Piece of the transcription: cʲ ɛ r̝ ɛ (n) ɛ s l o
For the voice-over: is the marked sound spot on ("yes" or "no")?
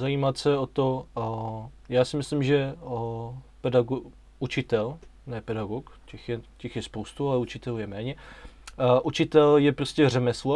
no